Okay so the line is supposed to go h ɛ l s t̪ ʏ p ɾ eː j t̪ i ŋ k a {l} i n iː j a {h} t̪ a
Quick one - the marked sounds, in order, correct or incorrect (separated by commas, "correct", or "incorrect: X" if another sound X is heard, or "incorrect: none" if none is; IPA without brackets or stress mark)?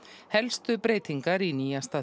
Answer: incorrect: ɾ, incorrect: s